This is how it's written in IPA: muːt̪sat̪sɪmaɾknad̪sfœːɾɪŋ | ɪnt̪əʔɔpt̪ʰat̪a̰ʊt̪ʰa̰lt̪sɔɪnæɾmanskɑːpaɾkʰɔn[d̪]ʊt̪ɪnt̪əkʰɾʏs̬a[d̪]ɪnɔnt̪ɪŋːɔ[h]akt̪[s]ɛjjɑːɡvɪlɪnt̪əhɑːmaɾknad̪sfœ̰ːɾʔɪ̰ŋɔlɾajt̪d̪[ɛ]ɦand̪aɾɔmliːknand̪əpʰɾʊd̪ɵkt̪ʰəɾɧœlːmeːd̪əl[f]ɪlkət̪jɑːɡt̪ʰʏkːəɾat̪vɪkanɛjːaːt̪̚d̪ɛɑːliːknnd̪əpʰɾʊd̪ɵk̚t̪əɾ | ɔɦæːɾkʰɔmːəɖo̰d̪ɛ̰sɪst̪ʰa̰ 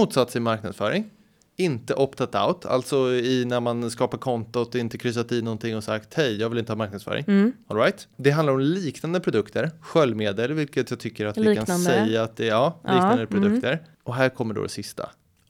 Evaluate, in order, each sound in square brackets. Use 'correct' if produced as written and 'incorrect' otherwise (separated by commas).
incorrect, incorrect, incorrect, incorrect, correct, incorrect